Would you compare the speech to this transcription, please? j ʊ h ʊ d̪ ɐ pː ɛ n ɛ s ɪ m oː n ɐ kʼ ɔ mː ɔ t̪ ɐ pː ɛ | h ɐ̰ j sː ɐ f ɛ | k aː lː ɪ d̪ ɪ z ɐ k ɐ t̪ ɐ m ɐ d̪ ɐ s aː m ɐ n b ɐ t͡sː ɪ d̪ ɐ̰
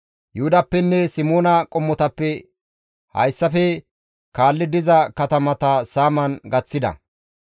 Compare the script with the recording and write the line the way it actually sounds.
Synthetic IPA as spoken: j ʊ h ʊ d̪ ɐ pː ɛ nː ɛ s ɪ m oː n ɐ kʼ ɔ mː ɔ t̪ ɐ pː ɛ | h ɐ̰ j sː ɐ f ɛ | k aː lː ɪ d̪ ɪ z ɐ k ɐ t̪ ɐ m ɐ t̪ ɐ s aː m ɐ n ɡ ɐ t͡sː ɪ d̪ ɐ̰